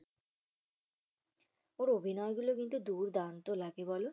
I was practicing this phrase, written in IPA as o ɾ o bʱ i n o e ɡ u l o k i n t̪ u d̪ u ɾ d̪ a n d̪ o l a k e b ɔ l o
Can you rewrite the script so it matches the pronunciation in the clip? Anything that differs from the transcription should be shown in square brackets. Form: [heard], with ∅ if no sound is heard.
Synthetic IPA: o ɾ o bʱ i n [ɔ] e ɡ u l o k i n t̪ u d̪ u ɾ d̪ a n [t̪] o l a [ɡ] e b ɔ l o

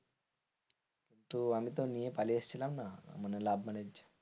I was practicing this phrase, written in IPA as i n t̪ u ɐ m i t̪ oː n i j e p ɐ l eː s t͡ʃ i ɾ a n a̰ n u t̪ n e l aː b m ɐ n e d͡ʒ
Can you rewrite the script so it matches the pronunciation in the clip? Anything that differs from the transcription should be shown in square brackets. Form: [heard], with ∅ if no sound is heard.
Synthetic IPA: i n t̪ u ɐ m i t̪ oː n i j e p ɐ l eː s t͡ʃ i [l] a n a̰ [m] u [∅] n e l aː b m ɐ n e d͡ʒ

